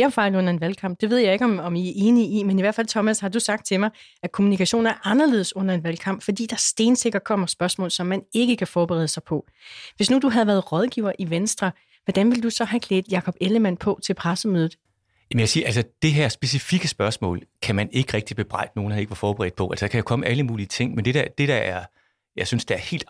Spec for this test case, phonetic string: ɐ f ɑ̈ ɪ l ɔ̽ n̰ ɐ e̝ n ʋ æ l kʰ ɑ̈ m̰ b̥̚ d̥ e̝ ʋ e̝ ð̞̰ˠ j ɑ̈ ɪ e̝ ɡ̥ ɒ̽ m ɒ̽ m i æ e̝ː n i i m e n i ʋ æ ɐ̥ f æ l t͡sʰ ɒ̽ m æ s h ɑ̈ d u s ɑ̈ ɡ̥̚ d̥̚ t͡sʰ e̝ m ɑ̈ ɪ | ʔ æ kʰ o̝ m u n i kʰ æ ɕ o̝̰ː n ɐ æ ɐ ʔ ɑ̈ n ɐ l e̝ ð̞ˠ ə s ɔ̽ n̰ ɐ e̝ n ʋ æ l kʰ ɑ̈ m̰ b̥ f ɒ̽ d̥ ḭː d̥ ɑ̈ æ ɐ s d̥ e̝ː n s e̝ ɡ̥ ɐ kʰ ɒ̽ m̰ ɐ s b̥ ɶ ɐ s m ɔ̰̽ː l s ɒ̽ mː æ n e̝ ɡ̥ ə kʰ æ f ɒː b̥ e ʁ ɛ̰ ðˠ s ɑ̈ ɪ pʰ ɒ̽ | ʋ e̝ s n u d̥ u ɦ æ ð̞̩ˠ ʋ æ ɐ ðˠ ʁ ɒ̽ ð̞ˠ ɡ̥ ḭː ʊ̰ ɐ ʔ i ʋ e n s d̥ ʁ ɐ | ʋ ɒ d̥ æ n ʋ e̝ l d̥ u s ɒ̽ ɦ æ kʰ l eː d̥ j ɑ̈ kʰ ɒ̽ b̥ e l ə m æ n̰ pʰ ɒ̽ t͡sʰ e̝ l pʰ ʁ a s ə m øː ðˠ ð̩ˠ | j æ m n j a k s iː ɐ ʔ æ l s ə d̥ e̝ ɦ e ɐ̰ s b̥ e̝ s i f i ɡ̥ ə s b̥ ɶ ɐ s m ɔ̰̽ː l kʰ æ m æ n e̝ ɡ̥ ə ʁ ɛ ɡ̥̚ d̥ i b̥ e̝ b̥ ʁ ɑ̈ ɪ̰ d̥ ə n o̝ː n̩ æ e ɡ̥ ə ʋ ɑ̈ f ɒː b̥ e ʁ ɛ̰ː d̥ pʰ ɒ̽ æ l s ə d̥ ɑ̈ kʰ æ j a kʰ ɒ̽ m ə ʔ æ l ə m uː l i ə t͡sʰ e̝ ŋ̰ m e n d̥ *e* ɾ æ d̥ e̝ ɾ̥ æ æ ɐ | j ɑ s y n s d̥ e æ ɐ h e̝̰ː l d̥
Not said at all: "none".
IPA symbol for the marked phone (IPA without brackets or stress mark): e